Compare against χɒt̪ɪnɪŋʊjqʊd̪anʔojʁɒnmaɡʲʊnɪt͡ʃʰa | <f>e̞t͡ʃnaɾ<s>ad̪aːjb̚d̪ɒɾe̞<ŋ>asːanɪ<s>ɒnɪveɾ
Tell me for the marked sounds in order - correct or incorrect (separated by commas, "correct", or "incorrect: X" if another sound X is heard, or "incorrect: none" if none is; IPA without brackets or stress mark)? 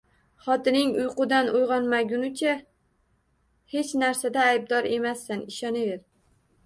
incorrect: h, correct, incorrect: m, incorrect: ʃ